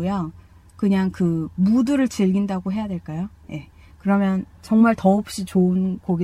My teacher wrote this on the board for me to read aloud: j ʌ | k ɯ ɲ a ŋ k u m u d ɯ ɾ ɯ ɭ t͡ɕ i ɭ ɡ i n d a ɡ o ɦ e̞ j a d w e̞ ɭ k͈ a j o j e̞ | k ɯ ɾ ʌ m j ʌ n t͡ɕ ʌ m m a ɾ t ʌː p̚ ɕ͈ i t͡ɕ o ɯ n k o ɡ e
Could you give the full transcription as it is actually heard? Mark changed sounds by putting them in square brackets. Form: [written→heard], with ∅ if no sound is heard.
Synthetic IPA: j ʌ | k ɯ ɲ a ŋ k [u→ɯ] m u d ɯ ɾ ɯ ɭ t͡ɕ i ɭ ɡ i n d a ɡ o ɦ e̞ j a d w e̞ ɭ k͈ a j o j e̞ | k ɯ ɾ ʌ m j ʌ n t͡ɕ ʌ [m→ŋ] m a [ɾ→ɭ] t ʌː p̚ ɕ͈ i t͡ɕ o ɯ n k o ɡ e